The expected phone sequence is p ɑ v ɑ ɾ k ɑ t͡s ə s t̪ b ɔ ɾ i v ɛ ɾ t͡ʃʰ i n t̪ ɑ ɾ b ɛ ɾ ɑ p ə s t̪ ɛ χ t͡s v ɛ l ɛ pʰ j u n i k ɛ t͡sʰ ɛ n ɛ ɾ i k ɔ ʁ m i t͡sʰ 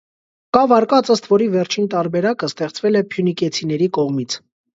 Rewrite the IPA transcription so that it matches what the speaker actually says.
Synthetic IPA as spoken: k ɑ v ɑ ɾ k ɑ t͡s ə s t̪ v ɔ ɾ i v ɛ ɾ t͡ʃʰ i n t̪ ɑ ɾ b ɛ ɾ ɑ k ə s t̪ ɛ χ t͡s v ɛ l ɛ pʰ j u n i k ɛ t͡sʰ i n ɛ ɾ i k ɔ ʁ m i t͡sʰ